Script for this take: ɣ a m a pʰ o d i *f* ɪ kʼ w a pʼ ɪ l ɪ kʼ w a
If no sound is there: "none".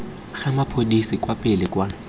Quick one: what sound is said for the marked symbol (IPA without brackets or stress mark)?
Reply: s